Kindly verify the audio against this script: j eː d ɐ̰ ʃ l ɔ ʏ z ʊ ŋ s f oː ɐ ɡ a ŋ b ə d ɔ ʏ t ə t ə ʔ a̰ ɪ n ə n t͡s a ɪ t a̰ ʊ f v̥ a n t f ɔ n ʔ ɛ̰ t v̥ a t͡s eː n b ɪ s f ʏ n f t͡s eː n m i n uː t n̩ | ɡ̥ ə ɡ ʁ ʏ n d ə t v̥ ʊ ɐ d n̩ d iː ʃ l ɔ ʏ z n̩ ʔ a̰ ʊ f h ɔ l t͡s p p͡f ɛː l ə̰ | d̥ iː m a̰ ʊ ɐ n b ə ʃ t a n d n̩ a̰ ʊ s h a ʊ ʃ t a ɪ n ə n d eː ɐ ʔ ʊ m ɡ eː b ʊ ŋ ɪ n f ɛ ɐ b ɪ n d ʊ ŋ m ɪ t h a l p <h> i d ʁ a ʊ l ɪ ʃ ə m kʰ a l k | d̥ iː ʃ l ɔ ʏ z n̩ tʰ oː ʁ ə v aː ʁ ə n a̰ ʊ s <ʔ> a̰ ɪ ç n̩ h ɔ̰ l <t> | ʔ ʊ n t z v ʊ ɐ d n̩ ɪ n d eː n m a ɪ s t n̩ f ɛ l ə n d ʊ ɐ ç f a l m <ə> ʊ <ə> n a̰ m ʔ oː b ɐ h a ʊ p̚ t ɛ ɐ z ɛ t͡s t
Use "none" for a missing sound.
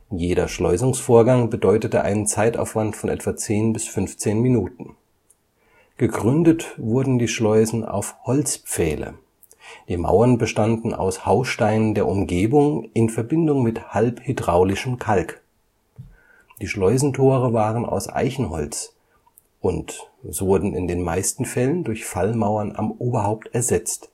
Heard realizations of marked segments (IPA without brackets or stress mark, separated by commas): h, ʔ, t͡s, a, ɐ